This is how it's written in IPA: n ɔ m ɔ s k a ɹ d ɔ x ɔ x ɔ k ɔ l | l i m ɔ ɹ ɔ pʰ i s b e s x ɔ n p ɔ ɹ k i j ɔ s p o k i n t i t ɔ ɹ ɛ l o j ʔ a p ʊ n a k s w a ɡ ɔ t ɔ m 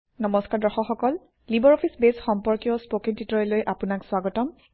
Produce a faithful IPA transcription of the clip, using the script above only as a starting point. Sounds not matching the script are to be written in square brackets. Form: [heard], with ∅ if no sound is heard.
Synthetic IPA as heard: n ɔ m ɔ s k a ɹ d ɔ x ɔ x ɔ k ɔ l | l i [b] ɔ ɹ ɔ pʰ i s b e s x ɔ [m] p ɔ ɹ k i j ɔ s p o k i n t i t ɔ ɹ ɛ l o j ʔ a p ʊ n a k s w a ɡ ɔ t ɔ m